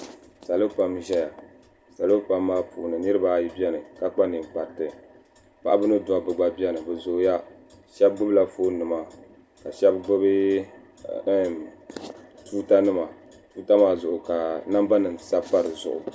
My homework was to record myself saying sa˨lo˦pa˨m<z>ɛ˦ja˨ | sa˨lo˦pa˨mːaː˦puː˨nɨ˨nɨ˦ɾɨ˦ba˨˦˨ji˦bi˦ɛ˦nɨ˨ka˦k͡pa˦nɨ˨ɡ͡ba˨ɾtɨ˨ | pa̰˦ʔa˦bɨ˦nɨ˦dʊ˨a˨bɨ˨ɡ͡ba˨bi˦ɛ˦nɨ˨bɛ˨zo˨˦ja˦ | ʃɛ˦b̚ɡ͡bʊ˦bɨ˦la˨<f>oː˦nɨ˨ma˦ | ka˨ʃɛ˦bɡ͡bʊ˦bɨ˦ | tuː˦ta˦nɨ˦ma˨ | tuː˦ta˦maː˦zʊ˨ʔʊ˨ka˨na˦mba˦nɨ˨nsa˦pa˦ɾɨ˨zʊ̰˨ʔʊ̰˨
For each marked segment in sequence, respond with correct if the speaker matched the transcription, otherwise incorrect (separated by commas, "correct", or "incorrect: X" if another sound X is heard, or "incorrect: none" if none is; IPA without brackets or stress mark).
incorrect: ʒ, correct